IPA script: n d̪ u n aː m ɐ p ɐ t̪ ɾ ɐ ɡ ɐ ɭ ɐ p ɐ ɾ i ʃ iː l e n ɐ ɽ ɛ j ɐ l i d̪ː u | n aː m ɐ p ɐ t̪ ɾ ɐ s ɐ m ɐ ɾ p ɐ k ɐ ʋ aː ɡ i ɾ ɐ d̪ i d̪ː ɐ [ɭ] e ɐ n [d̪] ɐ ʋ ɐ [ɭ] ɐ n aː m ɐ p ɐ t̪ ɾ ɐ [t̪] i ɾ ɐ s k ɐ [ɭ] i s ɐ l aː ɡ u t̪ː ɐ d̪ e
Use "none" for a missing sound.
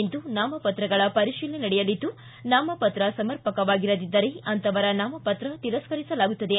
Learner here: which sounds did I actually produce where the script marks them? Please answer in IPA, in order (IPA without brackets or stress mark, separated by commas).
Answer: ɾ, t̪, ɾ, t̪, ɾ